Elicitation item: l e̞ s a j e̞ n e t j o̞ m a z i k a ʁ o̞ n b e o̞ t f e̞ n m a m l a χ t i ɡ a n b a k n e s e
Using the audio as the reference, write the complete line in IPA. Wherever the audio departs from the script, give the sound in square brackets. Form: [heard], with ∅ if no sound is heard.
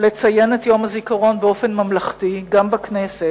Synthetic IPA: l e̞ [t͡s] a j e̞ n e t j o̞ m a z i k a ʁ o̞ n b e o̞ [∅] f e̞ n m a m l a χ t i ɡ a [m] b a k n e s e

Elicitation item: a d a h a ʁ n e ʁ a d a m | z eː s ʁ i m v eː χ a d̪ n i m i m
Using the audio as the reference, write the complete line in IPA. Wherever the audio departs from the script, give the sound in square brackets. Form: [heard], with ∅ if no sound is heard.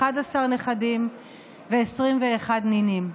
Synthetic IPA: a d a [s] a ʁ n e [χ] a d [i] m | [v] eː s ʁ i m v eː χ a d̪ n i [n] i m

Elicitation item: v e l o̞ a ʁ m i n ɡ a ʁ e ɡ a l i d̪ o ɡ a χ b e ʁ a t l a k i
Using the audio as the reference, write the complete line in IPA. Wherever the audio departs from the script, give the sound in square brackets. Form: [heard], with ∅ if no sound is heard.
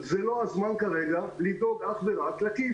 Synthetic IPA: [z] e l o̞ a [z] m [a] n [k] a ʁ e ɡ a l i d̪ o ɡ a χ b e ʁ a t l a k i

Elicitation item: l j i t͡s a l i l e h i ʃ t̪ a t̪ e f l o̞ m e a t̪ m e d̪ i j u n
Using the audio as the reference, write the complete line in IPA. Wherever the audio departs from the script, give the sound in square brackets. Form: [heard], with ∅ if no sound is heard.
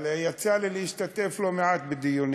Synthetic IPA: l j [a] t͡s a l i l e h i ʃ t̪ a t̪ e f l o̞ m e a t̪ [b] e d̪ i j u n

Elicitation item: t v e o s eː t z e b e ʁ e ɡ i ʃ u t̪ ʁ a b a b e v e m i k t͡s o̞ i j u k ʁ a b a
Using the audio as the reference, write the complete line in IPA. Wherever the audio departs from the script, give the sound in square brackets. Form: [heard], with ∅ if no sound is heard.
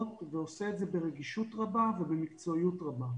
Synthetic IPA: t v e o s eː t z e b e ʁ e ɡ i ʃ u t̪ ʁ a b a [v] e [b] e m i k t͡s o̞ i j u [t] ʁ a b a

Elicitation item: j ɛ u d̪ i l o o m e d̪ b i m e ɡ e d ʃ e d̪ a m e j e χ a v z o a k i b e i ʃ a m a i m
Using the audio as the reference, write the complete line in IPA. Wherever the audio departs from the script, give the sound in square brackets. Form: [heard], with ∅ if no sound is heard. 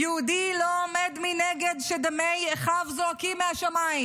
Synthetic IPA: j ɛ u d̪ i l o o m e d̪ [m] i [n] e ɡ e d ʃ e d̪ a m e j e χ a v z o a k i [m] e [a] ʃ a m a i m

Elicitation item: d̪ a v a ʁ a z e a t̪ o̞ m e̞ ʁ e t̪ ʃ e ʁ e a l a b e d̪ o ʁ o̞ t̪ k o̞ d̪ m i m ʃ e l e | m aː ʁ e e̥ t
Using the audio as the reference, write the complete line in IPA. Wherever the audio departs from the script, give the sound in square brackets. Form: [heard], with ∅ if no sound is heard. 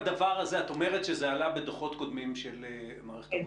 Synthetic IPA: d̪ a v a ʁ a z e a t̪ o̞ m e̞ ʁ e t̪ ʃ e [z] e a l a b e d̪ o [χ] o̞ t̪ k o̞ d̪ m i m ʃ e l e | m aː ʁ e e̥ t

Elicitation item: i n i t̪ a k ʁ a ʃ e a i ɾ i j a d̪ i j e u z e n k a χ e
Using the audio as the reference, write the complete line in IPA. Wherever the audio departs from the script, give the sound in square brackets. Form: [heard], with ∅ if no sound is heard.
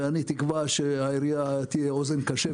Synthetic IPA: [a] n i t̪ [i] k [v] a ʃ e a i ɾ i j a [t̪] i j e [o] z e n k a [ʃ] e

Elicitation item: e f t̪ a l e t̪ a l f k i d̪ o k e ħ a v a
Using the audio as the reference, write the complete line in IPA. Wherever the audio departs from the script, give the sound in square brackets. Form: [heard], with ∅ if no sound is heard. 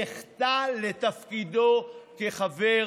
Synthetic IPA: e [χ] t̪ a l e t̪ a [∅] f k i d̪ o k e [χ] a v [e]

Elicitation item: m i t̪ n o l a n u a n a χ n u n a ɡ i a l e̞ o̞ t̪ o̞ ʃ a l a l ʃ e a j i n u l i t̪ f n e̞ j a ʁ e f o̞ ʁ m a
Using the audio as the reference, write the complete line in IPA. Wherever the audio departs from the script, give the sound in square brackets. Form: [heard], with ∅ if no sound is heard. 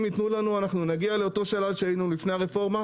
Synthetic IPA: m i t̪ n [u] l a n u a n a χ n u n a ɡ i a l e̞ o̞ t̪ o̞ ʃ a l a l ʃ e a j i n u l i [∅] f n e̞ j a ʁ e f o̞ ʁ m a

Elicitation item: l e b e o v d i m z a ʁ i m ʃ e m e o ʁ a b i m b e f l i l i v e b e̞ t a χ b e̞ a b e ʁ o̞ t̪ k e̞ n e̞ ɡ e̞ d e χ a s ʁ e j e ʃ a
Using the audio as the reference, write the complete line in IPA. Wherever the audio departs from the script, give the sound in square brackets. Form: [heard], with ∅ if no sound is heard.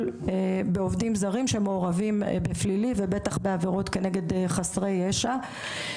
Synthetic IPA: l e b e o v d i m z a ʁ i m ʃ e m e o ʁ a [v] i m b e f l i l i v e b e̞ t a χ b e̞ a [v] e ʁ o̞ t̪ k e̞ n e̞ ɡ e̞ d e χ a s ʁ e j e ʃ a

